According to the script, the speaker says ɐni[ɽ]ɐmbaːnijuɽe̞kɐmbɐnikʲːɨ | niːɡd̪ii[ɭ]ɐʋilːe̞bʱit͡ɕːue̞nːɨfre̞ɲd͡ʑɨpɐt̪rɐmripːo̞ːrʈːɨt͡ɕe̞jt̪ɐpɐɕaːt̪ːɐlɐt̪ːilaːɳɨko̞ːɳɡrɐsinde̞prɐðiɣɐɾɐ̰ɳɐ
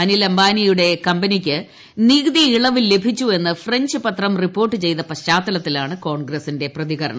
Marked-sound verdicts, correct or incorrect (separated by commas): incorrect, correct